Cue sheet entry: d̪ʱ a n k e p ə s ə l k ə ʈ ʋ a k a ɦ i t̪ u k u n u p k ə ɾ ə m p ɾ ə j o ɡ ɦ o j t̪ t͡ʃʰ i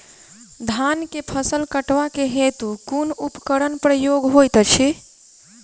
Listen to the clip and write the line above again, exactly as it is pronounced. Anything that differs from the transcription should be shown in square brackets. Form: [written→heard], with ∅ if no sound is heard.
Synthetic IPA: d̪ʱ a n k e [p→pʰ] ə s ə l k ə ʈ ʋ a k [a→e] ɦ [i→e] t̪ u k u n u p k ə ɾ ə [m→n] p ɾ ə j o ɡ ɦ o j t̪ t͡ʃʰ i